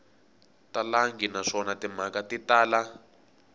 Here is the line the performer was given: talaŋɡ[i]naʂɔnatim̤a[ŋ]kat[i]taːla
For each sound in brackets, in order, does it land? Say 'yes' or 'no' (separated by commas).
yes, no, yes